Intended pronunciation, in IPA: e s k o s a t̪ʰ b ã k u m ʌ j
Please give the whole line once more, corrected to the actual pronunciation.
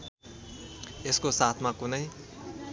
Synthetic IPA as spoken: e s k o s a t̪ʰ m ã k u n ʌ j